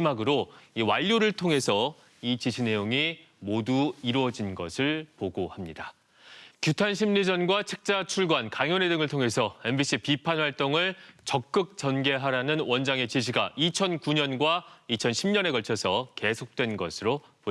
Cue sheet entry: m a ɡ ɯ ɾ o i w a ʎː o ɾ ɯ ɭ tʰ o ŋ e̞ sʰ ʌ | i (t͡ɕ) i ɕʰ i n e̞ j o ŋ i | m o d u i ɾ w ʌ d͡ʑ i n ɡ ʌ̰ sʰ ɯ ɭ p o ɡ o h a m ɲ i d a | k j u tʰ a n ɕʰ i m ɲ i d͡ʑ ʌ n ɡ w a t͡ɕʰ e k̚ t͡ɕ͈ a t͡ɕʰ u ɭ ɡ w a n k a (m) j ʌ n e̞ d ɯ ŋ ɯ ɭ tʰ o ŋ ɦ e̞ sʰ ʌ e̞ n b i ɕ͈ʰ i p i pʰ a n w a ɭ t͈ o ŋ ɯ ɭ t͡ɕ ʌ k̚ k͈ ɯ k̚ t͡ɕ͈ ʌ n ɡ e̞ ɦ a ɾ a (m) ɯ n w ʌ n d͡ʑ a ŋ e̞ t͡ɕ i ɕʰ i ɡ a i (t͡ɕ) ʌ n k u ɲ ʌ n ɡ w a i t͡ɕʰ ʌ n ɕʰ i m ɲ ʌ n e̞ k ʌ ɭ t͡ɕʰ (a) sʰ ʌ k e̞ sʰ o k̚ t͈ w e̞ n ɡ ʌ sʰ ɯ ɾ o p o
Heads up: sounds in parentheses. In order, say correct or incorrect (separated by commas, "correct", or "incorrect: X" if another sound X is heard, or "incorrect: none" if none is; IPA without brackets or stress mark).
correct, incorrect: ŋ, incorrect: n, incorrect: t͡ɕʰ, incorrect: ʌ